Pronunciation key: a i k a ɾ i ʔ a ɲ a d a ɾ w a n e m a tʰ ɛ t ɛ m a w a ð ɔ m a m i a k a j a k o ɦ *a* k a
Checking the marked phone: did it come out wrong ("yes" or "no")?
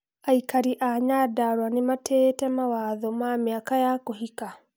yes